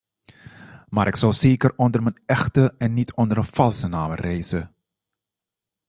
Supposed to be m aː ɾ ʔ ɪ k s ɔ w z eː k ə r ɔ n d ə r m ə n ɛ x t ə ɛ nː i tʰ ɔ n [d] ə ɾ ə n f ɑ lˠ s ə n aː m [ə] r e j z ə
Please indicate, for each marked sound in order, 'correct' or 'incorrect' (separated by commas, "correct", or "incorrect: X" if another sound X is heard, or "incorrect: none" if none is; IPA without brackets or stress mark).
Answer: correct, correct